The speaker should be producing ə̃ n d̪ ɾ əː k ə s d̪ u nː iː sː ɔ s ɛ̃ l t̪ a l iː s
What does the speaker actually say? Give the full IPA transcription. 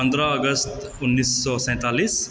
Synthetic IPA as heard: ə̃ n d̪ ɾ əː ɡ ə s t̪ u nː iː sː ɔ s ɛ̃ t̪ a l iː s